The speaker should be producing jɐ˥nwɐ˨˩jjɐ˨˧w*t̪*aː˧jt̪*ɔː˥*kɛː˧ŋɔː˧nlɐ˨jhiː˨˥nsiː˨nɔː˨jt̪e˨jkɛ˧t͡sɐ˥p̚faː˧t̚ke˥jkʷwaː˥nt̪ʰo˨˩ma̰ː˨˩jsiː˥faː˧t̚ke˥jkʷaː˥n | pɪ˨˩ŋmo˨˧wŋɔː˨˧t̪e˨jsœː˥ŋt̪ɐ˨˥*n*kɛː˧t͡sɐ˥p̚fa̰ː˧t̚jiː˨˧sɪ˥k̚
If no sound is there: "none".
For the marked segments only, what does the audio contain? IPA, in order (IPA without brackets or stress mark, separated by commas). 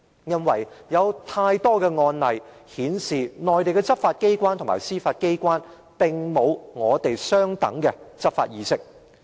t̪ʰ, ɔː˥, ŋ